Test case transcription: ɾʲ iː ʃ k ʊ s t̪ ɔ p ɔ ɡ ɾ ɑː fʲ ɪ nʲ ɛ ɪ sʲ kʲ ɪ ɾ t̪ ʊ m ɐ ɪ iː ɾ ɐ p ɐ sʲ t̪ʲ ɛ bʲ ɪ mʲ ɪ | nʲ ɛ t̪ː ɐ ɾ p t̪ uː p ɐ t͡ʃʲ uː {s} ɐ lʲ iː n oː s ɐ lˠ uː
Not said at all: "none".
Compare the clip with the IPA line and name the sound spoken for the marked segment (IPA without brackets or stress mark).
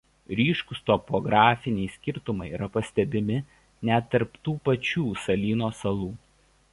s